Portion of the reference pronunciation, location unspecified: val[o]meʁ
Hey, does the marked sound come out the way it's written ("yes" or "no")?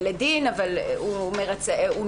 no